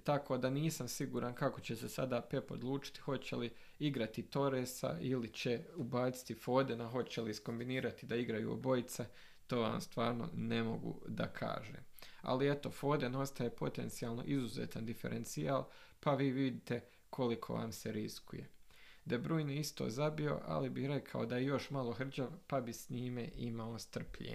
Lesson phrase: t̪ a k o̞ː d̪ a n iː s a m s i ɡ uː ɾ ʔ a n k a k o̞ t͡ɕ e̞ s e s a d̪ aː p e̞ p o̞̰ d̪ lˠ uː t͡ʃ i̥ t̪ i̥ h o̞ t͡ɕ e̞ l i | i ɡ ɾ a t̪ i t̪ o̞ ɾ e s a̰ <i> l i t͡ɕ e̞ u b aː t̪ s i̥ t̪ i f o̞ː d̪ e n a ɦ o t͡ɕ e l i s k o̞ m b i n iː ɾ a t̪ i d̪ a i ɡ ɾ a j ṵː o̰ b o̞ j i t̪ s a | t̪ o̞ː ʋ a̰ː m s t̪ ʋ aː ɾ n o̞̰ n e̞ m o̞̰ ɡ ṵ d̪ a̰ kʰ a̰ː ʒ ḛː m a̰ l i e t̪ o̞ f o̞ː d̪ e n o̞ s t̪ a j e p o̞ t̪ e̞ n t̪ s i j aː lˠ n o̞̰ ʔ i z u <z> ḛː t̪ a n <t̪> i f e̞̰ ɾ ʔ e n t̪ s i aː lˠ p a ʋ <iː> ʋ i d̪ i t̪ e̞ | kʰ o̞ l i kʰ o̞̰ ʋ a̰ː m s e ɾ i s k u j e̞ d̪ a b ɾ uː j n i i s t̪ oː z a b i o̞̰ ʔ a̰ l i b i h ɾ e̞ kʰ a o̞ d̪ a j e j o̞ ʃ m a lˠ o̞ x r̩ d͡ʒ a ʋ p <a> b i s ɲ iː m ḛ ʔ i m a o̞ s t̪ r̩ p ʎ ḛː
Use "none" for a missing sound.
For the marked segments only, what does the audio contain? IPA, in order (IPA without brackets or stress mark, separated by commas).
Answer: i, z, d̪, iː, a